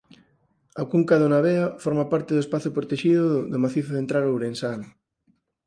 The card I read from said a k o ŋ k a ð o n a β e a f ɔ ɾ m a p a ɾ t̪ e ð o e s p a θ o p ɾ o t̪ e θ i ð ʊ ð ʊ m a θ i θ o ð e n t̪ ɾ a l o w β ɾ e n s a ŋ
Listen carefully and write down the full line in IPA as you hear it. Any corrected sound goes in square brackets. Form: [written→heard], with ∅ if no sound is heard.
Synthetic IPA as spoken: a k [o→u] ŋ k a ð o n a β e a f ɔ ɾ m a p a ɾ t̪ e ð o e s p a θ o p ɾ o t̪ e [θ→ʃ] i ð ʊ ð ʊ m a θ i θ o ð e n t̪ ɾ a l o w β ɾ e n s a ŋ